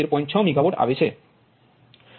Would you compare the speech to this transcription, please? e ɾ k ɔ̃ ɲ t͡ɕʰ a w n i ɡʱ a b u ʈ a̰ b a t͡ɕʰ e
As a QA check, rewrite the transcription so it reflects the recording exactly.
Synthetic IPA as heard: e ɾ p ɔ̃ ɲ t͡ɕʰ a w m i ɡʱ a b o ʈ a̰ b e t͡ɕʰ e